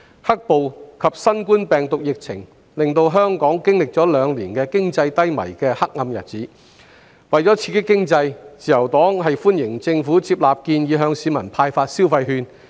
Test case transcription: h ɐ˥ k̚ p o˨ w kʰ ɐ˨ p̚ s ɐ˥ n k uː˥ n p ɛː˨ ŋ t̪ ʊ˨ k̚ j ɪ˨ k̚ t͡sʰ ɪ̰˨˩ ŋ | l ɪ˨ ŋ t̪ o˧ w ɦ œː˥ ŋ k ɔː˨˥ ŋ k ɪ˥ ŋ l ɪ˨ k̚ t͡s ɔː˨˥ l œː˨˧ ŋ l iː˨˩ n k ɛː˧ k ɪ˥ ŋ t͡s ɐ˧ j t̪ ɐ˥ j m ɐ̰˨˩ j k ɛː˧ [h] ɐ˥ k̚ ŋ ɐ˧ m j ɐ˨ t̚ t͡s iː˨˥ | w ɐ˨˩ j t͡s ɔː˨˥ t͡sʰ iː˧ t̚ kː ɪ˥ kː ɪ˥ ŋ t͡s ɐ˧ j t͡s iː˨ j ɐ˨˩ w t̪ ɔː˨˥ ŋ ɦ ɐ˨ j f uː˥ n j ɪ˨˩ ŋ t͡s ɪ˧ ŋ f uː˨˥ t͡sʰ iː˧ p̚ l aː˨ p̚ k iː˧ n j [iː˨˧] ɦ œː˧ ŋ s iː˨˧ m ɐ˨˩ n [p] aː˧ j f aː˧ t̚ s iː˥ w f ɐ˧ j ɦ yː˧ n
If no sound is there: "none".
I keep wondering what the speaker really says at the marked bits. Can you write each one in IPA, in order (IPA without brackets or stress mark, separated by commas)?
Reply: h, iː˨˧, pʰ